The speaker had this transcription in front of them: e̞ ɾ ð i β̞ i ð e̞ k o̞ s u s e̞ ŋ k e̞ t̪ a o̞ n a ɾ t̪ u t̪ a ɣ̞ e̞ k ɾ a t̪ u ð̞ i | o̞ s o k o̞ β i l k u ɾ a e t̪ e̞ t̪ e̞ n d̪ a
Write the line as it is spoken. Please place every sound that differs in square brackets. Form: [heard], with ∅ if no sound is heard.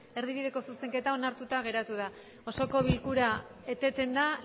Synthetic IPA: e̞ ɾ ð i β̞ i ð e̞ k o̞ s u s e̞ ŋ k e̞ t̪ a o̞ n a ɾ t̪ u t̪ a ɣ̞ e̞ [∅] ɾ a t̪ u ð̞ [a] | o̞ s o k o̞ β i l k u ɾ a e t̪ e̞ t̪ e̞ n d̪ a